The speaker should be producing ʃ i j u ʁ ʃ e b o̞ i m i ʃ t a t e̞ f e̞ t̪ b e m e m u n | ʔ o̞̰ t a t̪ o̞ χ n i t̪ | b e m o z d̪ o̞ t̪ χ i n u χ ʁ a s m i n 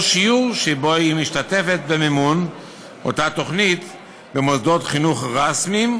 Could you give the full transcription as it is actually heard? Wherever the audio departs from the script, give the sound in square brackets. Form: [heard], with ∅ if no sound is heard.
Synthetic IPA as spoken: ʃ i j u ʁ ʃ e b o̞ i m i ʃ t a t e̞ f e̞ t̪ b e m e m u n | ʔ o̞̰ t a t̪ o̞ χ n i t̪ | b e m o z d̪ o̞ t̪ χ i n u χ ʁ a s m i [m]